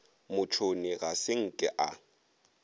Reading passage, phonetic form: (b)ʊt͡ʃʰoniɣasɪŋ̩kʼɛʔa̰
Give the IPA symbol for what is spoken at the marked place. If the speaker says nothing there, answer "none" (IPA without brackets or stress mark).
m